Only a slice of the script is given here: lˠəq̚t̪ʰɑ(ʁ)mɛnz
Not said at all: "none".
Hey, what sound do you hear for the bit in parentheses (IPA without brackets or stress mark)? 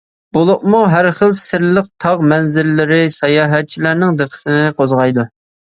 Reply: ʁ